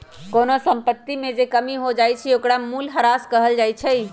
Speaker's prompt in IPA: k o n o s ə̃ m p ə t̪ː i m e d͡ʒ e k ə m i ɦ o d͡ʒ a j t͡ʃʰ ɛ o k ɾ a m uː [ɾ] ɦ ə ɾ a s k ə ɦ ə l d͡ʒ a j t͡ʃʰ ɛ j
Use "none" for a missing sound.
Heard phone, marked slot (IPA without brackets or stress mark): l